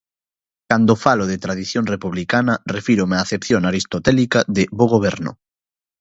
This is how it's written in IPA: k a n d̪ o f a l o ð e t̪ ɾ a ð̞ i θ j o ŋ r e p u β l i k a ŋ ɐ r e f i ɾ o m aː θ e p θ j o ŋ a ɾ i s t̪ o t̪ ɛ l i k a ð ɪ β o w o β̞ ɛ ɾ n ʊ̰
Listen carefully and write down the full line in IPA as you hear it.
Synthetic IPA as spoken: k a n d̪ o f a l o ð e t̪ ɾ a ð̞ i θ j o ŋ r e p u β l i k a n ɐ r e f i ɾ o m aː θ e p θ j o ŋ a ɾ i s t̪ o t̪ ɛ l i k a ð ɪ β o ɣ o β̞ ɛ ɾ n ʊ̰